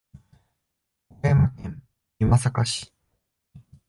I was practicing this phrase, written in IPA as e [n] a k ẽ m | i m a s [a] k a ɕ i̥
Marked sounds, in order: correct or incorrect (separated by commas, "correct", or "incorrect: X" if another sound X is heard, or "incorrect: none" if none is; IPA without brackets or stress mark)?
incorrect: m, correct